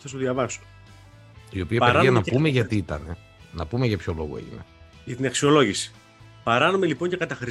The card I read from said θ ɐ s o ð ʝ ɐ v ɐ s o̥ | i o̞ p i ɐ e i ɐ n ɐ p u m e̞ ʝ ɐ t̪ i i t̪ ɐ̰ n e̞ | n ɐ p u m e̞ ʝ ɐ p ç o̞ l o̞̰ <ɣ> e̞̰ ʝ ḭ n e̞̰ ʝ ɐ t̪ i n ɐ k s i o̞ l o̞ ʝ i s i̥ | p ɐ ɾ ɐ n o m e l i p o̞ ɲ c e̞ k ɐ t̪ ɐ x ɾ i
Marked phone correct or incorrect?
correct